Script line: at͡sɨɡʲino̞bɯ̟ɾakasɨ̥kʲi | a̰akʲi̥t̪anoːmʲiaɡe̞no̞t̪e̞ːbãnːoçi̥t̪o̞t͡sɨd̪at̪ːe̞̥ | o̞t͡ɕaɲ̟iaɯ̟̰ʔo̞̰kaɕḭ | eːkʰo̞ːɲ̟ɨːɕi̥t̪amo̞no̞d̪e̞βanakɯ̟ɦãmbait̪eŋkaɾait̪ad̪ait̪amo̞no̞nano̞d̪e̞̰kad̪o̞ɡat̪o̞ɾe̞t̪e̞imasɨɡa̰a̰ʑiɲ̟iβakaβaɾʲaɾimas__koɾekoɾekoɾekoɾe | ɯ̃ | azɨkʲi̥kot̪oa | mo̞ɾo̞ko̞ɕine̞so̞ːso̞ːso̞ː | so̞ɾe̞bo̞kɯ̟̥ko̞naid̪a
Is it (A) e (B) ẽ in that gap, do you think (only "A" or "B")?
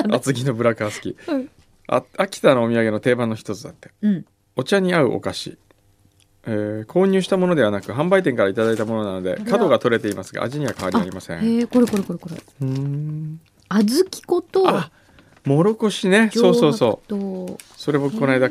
B